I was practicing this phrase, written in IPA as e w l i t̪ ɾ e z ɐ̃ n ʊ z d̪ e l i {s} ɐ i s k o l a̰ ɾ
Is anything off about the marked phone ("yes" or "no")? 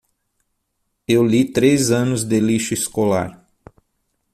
yes